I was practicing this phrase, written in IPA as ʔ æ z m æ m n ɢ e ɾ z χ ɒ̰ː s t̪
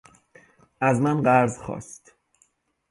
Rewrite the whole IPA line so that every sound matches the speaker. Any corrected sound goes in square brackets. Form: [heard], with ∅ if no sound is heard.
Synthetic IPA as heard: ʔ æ z m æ [∅] n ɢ [æ] ɾ z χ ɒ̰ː s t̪